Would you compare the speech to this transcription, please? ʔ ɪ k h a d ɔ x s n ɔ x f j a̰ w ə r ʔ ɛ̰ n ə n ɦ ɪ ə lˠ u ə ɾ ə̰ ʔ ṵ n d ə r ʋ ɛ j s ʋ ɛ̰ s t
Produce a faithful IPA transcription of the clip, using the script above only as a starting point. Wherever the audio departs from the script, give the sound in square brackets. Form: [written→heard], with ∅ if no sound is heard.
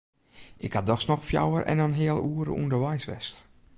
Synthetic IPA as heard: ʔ ɪ k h a d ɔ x s n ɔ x f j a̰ w ə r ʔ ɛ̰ n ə n ɦ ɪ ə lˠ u ə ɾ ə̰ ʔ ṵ n d ə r ʋ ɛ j s ʋ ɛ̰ s t